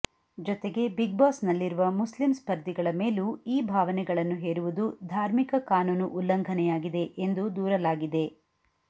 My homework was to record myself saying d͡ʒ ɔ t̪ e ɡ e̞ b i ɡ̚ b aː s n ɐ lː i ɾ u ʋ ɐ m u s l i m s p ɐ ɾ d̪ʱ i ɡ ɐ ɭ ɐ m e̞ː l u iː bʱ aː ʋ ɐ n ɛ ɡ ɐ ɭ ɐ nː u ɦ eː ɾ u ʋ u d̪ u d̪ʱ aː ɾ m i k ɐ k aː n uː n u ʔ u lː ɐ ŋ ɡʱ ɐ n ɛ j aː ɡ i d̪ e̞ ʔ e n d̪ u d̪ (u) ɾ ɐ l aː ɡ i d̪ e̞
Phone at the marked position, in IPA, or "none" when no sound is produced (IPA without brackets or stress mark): uː